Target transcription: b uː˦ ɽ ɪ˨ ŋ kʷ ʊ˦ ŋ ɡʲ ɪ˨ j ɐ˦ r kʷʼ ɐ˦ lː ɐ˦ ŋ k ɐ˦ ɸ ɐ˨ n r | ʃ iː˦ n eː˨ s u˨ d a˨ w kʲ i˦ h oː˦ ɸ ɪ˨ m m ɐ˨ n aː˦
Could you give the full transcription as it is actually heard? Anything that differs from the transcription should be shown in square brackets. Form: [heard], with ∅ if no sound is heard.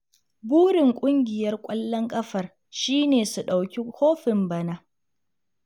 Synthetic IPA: b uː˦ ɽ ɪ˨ ŋ [kʷʼ] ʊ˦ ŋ ɡʲ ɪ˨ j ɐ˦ r kʷʼ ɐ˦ lː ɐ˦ ŋ [kʼ] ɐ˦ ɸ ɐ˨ [∅] r | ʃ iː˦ n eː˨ s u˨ [ɗ] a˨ w kʲ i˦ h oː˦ ɸ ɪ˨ m [b] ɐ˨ n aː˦